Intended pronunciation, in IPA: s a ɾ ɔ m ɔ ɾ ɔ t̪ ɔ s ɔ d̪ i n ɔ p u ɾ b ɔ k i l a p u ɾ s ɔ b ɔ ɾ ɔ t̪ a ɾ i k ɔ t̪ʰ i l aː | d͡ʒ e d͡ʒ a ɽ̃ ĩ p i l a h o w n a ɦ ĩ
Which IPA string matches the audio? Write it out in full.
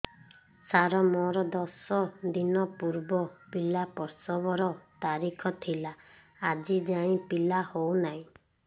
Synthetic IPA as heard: s a ɾ ɔ m ɔ ɾ ɔ d̪ ɔ s ɔ d̪ i n ɔ p u ɾ b ɔ p i l a p ɔ ɾ s ɔ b ɔ ɾ ɔ t̪ a ɾ i kʰ ɔ t̪ʰ i l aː | d͡ʒ i d͡ʒ a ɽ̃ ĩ p i l a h o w n a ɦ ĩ